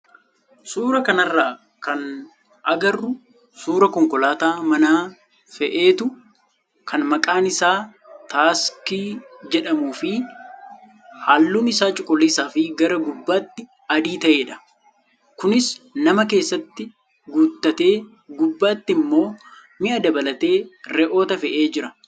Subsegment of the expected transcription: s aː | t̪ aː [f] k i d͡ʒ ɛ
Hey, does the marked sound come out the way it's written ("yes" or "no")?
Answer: no